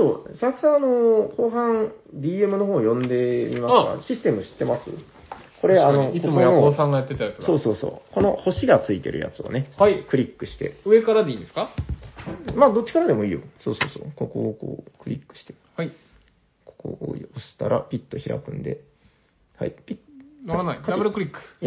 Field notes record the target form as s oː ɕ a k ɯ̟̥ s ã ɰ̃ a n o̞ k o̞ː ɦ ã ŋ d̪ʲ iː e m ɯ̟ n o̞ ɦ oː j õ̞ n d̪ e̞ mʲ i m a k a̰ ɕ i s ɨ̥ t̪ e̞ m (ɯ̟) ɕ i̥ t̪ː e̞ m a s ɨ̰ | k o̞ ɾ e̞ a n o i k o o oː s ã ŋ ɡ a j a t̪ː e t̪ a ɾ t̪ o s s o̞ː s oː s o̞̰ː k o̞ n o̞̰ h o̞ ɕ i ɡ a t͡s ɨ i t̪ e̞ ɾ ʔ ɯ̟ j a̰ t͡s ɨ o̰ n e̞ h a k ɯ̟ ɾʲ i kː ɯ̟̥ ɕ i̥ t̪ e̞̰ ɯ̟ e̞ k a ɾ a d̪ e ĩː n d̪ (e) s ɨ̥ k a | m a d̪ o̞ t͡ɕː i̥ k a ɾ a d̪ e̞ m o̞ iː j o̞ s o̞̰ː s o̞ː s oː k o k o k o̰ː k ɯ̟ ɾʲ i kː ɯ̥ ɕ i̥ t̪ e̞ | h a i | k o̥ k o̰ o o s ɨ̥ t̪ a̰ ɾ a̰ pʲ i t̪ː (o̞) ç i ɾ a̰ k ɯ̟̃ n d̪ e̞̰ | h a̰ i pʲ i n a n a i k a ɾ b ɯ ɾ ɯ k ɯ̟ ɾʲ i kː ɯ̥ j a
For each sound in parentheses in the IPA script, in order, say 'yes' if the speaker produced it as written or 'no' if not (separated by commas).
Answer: yes, yes, yes